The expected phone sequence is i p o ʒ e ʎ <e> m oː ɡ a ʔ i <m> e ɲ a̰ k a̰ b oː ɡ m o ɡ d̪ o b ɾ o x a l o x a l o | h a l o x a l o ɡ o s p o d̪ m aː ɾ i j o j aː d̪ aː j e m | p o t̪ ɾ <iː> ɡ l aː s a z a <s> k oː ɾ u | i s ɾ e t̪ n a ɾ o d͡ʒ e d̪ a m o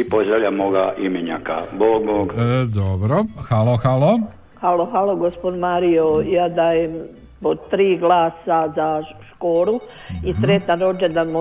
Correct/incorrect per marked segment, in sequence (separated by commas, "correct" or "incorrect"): incorrect, correct, correct, incorrect